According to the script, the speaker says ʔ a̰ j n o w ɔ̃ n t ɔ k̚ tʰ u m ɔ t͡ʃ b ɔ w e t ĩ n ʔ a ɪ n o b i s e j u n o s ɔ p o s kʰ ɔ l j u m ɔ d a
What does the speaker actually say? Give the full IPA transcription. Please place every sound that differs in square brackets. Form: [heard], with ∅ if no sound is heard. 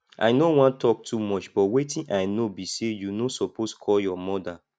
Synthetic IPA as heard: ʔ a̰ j n o w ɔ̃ n t ɔ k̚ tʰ u m ɔ t͡ʃ b ɔ w e t ĩ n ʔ a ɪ n o b i s e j u n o s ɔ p o s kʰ ɔ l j [ɔ] m ɔ d a

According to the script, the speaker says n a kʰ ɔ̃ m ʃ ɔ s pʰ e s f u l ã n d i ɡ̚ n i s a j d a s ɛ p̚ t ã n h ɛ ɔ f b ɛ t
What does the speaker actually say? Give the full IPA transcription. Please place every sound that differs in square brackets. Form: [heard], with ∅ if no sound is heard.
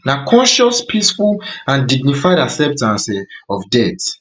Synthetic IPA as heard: n a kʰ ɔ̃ [n] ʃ ɔ s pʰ [i] s f u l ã n d i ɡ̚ n i [f] a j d a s ɛ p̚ t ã n [s] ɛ ɔ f [d] ɛ t

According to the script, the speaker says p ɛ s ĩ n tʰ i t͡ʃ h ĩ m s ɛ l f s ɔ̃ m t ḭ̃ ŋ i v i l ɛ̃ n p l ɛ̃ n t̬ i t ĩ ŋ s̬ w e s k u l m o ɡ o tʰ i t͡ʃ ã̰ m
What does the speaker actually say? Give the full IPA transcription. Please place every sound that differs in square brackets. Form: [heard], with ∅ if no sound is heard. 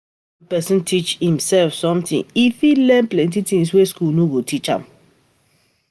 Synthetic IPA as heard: p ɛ s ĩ n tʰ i t͡ʃ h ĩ m s ɛ l f s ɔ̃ m t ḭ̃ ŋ i [f] i l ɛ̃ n p l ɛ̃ n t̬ i t ĩ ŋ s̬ w e s k u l [n] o ɡ o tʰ i t͡ʃ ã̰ m

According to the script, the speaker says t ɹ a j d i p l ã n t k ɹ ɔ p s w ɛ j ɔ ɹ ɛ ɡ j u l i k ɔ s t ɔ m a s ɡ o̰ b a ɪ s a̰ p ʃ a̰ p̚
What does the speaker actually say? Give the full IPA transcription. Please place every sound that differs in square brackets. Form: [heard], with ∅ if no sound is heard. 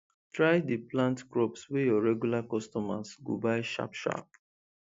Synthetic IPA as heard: t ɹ a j d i p l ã n t k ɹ ɔ p s w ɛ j ɔ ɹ ɛ ɡ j u l [a] k ɔ s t ɔ m a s ɡ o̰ b a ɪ [ʃ] a̰ p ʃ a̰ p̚

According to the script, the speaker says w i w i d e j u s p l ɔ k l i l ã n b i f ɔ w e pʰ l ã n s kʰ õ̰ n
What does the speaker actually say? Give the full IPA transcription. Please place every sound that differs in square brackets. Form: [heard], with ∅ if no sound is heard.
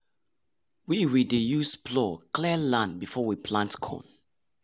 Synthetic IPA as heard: w i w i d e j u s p l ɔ k l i l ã n b i f ɔ w [i] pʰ l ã n [t] kʰ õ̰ n

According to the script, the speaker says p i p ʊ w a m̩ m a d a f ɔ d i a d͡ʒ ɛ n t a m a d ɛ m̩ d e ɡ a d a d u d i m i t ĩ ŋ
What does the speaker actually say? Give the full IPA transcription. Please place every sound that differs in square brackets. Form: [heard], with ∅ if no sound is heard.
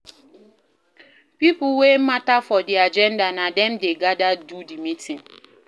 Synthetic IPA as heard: p i p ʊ w [e] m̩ m a [t] a f ɔ d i a d͡ʒ ɛ n [d] a [n] a d ɛ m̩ d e ɡ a d a d u d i m i t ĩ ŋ

